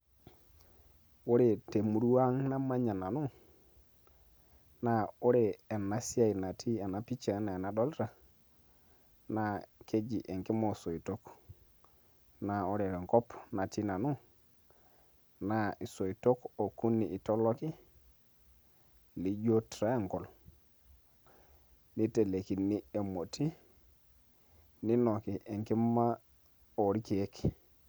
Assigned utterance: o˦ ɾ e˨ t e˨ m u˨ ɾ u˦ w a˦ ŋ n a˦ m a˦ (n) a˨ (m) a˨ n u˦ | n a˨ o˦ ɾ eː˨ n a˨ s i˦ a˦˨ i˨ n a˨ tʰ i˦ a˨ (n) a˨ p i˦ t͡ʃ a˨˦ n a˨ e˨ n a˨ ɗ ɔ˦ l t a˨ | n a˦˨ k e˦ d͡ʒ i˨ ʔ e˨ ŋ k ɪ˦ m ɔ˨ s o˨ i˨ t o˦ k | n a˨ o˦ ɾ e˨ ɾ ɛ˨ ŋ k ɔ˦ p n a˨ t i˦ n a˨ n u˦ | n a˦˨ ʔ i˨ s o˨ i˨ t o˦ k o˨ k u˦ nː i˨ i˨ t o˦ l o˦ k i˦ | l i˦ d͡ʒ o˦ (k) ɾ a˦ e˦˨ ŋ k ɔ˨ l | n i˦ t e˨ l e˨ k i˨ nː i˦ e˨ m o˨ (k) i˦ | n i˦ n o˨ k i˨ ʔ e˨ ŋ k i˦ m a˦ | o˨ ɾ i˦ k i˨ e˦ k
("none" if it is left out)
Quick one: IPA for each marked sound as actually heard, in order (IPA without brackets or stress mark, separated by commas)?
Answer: ɲ, n, n, t, t